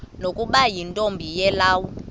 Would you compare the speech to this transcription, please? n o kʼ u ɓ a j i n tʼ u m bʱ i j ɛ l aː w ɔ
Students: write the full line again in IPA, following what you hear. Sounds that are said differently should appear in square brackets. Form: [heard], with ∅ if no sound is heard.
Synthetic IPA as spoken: n o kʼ u ɓ a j i n tʼ [o] m bʱ i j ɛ l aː w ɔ